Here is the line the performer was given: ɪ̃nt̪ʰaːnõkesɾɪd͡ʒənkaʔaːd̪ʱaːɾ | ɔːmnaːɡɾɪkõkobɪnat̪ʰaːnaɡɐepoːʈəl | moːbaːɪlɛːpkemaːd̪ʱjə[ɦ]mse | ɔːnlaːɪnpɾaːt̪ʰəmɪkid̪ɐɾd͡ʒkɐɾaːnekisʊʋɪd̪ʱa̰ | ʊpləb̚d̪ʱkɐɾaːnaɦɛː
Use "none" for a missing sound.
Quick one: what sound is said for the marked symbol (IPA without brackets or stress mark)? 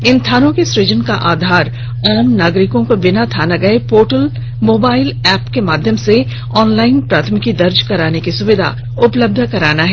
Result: none